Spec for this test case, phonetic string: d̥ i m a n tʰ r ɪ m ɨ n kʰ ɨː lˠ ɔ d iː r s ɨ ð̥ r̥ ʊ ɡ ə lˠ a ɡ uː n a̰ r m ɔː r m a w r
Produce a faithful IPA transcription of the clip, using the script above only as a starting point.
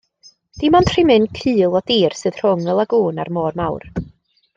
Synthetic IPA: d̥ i m a n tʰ r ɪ m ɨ n kʰ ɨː lˠ ɔ d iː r s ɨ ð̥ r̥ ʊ ŋ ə lˠ a ɡ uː n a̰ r m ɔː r m a w r